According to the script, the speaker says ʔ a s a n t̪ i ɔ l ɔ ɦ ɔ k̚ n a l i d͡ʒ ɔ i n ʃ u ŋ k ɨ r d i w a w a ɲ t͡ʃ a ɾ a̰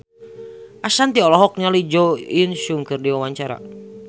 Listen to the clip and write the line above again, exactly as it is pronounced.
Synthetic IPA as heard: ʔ a s a n t̪ i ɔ l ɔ ɦ ɔ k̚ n a l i d͡ʒ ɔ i n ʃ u ŋ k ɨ r d i w a w a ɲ t͡ʃ a ɾ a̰